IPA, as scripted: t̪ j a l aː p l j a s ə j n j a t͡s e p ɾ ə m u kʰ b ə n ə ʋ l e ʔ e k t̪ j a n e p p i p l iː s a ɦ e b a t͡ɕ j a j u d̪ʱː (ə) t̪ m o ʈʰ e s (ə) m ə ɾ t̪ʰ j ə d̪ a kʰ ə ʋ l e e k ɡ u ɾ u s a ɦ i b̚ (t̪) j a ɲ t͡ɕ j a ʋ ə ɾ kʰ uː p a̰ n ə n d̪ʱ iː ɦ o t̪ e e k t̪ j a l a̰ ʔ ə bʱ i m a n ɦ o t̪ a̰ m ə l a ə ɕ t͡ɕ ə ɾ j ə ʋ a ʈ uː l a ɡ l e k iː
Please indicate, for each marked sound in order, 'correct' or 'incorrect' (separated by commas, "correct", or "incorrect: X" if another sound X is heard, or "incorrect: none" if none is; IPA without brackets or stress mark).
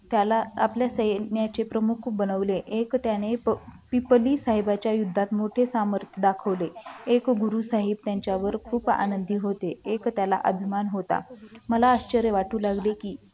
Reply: incorrect: a, incorrect: a, correct